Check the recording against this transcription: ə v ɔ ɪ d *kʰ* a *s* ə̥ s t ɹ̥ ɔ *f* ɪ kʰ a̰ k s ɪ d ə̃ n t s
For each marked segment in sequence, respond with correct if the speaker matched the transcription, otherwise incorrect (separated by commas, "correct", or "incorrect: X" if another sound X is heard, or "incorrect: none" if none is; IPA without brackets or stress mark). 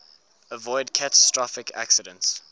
correct, incorrect: t, correct